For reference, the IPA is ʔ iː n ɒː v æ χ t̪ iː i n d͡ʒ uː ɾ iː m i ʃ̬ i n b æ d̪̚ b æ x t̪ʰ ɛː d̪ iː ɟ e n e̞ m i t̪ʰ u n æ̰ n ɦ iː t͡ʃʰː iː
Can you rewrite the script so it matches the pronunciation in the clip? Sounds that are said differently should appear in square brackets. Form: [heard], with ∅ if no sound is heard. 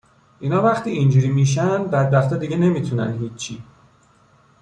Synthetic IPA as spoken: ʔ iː n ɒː v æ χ t̪ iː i n d͡ʒ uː ɾ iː m i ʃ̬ [æ] n b æ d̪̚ b æ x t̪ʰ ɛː d̪ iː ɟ e n e̞ m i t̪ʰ u n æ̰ n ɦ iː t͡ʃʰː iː